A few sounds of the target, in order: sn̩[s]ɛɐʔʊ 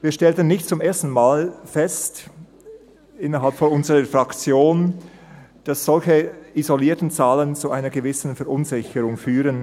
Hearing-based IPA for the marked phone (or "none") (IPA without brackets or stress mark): f